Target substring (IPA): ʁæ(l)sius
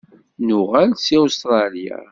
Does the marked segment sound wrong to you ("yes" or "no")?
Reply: no